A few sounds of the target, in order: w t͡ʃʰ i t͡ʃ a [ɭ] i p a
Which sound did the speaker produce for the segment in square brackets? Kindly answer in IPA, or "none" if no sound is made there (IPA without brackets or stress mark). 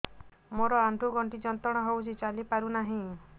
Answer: l